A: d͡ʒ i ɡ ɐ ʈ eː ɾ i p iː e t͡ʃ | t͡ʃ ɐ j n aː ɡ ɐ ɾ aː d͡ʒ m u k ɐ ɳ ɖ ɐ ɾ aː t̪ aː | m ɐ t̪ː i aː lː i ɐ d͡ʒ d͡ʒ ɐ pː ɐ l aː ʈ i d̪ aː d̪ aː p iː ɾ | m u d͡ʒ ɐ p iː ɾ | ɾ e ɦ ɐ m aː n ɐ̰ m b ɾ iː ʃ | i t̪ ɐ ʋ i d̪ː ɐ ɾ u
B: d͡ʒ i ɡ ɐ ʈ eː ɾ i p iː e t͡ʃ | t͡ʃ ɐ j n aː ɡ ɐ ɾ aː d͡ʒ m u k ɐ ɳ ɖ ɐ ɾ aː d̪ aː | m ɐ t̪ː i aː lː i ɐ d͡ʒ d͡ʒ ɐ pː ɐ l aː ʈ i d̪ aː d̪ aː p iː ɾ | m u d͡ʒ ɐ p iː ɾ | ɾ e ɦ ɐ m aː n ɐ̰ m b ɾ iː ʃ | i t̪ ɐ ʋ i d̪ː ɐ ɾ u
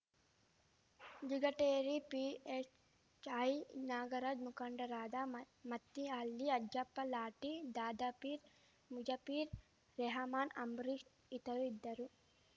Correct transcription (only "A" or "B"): B